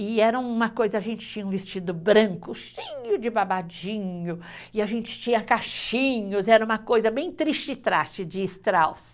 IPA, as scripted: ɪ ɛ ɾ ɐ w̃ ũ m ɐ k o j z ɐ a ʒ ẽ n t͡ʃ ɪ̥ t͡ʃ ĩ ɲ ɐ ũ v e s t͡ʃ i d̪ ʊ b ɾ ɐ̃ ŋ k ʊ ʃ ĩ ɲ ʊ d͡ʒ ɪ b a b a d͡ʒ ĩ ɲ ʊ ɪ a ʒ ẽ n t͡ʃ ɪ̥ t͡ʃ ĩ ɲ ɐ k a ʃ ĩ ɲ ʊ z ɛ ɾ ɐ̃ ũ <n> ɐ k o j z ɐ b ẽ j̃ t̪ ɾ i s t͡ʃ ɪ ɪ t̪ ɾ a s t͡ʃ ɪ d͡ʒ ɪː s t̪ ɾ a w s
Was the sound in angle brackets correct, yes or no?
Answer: no